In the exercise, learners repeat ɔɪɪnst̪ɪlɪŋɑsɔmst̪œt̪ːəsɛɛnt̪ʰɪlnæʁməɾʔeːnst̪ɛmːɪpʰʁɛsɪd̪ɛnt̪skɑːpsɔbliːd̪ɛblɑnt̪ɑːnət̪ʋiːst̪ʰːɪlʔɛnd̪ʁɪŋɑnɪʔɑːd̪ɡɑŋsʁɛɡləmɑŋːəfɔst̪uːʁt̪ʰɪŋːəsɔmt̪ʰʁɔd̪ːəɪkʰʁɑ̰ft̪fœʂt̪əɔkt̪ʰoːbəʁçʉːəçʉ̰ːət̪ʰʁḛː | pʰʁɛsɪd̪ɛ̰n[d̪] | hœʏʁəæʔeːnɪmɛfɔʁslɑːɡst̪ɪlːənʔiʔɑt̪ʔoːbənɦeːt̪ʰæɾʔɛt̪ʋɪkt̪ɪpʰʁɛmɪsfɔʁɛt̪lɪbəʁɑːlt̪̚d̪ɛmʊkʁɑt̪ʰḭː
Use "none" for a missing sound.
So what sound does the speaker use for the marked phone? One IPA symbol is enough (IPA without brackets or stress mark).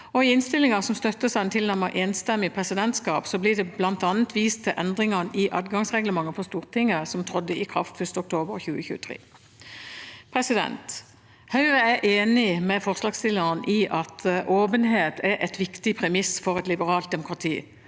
t̪